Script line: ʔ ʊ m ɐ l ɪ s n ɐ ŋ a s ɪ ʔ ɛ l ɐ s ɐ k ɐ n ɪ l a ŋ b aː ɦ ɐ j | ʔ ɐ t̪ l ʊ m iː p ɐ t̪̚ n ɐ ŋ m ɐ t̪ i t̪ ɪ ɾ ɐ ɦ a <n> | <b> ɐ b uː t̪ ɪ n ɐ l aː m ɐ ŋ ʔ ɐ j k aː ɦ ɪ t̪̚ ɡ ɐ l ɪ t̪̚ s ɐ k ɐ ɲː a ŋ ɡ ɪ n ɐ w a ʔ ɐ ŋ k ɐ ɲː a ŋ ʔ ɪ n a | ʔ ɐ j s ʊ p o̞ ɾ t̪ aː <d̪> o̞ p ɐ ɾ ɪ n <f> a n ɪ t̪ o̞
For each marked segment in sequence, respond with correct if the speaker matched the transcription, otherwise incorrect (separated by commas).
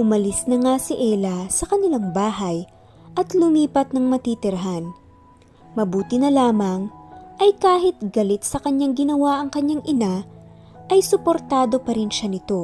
correct, incorrect, correct, incorrect